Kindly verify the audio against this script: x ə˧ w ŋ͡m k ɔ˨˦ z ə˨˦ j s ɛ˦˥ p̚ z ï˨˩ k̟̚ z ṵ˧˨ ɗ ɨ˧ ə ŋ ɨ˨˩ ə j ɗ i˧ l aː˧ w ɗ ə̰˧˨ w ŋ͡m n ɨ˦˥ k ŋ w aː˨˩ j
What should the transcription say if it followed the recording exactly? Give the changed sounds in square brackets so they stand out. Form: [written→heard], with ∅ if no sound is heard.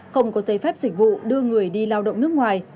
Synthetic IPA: x ə˧ w ŋ͡m k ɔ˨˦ z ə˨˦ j [s→f] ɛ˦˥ p̚ z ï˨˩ k̟̚ [z→v] ṵ˧˨ ɗ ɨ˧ ə ŋ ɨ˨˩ ə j ɗ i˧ l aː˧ w ɗ ə̰˧˨ w ŋ͡m n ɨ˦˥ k ŋ w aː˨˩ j